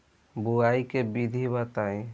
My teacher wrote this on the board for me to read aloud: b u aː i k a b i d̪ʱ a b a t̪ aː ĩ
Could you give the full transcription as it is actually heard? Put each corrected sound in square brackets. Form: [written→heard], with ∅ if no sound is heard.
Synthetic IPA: b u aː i k [a→e] b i d̪ʱ [a→i] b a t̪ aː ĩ